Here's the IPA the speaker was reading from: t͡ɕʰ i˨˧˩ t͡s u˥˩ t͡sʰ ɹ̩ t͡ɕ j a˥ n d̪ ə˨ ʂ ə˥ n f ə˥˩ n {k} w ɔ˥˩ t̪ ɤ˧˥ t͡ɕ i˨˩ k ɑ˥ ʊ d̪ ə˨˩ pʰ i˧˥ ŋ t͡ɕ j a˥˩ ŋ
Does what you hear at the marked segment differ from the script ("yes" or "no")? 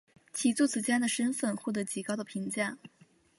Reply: yes